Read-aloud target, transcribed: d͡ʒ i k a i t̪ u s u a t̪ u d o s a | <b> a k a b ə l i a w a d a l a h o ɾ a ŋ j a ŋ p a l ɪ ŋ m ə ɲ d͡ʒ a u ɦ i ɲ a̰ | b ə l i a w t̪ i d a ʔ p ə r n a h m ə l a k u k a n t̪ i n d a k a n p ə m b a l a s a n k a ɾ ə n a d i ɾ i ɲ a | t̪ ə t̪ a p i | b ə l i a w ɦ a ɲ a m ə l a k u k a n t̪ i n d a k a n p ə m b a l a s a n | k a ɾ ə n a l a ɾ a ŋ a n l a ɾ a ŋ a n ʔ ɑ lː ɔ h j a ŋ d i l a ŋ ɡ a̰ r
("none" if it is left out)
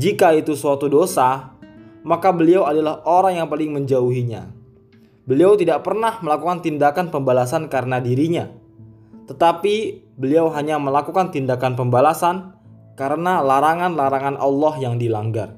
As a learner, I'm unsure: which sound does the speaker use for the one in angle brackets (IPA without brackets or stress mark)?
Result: m